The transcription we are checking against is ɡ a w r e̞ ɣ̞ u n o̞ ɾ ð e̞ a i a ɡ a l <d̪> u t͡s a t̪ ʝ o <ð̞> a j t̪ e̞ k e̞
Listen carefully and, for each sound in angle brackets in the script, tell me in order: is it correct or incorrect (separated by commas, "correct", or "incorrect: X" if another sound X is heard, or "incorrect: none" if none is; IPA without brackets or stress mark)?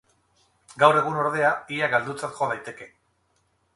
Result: correct, correct